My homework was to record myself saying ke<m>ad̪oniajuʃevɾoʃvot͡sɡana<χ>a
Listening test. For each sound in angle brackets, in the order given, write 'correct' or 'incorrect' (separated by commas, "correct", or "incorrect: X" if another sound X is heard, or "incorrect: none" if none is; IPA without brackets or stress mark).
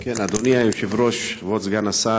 incorrect: n, incorrect: s